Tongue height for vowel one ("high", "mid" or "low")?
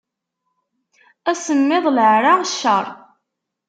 low